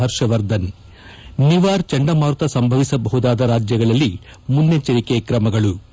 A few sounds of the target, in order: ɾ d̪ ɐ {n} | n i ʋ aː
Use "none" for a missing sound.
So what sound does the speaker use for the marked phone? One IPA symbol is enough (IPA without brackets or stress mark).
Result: n